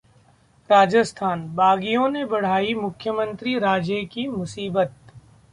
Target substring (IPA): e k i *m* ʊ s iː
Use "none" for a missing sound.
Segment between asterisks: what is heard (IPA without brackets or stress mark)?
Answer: m